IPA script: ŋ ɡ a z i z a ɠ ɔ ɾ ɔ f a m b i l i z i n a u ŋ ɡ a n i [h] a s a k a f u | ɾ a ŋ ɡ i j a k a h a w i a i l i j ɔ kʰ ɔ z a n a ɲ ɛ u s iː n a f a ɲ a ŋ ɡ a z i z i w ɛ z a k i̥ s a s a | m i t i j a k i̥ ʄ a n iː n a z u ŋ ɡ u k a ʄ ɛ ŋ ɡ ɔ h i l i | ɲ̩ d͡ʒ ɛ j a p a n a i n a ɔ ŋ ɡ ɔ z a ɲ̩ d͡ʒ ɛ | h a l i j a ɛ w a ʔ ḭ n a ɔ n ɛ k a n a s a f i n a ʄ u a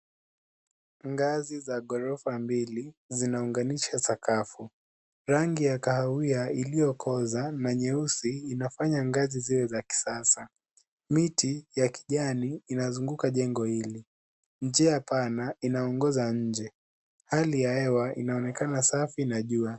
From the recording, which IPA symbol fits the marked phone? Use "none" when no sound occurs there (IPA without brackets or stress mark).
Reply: ʃ